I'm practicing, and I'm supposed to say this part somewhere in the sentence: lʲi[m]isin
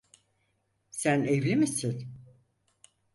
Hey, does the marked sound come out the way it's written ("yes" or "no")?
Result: yes